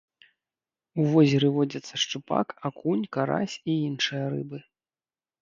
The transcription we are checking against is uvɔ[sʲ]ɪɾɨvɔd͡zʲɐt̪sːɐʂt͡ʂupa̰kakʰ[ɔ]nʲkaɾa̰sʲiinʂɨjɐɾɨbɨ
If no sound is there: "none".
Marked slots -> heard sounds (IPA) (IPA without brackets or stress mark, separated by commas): zʲ, u